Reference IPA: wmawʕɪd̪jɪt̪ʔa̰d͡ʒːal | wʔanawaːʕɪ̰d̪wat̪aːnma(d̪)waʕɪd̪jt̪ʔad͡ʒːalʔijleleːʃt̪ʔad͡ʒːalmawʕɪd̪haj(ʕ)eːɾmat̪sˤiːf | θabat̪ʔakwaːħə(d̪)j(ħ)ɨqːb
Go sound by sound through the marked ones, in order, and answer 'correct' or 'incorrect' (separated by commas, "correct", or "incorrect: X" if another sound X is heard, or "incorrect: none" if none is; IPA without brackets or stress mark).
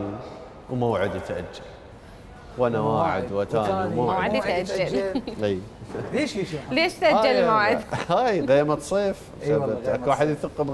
incorrect: none, incorrect: ɣ, correct, incorrect: θ